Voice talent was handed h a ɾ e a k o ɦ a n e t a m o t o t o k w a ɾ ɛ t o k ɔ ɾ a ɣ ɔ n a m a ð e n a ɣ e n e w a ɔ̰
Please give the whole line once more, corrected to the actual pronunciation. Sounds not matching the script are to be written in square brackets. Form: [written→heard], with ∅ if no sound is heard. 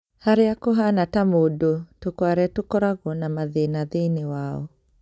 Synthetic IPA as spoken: h a ɾ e a k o ɦ a n [e→a] t a m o [t→d] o t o k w a ɾ ɛ t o k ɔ ɾ a ɣ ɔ n a m a ð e n a [ɣ→ð] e n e w a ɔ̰